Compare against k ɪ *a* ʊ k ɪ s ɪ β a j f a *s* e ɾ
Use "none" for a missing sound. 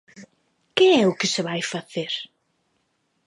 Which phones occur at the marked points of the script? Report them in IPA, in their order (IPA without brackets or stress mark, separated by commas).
ɛ, θ